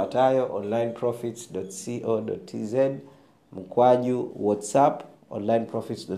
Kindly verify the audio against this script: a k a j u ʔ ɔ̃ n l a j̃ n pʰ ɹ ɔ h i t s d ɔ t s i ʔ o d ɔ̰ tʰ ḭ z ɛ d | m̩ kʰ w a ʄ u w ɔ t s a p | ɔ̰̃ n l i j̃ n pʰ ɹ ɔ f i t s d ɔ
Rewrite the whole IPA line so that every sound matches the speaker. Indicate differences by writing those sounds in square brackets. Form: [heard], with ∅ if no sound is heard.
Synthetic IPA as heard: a [t] a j [ɔ] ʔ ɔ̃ n l a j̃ n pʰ ɹ ɔ [f] i t s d ɔ t s i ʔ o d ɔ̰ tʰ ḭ z ɛ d | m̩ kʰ w a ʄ u w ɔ t s a p | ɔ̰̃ n l [a] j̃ n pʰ ɹ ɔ f i t s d ɔ